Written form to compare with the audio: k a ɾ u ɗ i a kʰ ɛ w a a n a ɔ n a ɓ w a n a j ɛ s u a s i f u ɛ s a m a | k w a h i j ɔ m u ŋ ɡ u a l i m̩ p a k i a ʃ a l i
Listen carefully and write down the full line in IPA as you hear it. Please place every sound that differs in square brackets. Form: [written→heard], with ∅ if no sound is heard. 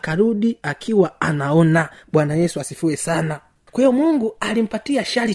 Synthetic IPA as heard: k a ɾ u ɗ i a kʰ [ɛ→i] w a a n a ɔ n a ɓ w a n a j ɛ s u a s i f u ɛ s a [m→n] a | k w a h i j ɔ m u ŋ ɡ u a l i m̩ p a [k→t] i a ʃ a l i